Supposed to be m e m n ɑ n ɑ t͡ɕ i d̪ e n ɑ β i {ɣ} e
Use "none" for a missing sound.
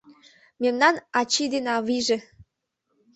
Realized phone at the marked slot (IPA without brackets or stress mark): ʒ